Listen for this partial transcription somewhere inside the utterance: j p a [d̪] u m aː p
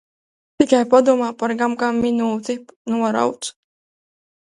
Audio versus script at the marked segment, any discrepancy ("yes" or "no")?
no